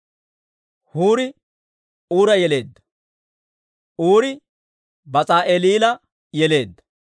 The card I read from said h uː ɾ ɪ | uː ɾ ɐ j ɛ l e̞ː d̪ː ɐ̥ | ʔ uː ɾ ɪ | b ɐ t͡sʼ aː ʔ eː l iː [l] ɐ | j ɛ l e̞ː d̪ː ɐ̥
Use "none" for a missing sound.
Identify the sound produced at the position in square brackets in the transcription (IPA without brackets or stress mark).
l